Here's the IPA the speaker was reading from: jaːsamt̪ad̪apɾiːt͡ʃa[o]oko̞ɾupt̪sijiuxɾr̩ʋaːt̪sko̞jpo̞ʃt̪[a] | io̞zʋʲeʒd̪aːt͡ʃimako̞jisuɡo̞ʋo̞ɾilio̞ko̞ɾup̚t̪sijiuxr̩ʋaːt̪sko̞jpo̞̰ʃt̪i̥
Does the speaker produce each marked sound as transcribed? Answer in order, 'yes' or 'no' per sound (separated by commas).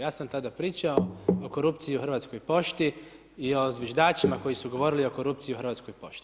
yes, no